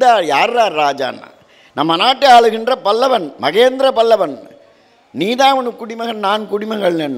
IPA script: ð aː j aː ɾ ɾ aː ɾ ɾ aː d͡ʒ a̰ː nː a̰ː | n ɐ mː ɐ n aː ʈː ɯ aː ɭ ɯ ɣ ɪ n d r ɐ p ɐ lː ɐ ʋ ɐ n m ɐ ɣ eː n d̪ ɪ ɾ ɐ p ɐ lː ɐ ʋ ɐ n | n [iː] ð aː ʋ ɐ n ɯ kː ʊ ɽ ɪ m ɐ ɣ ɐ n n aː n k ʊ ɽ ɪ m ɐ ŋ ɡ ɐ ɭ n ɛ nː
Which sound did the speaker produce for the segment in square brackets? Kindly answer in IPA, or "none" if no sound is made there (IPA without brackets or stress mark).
iː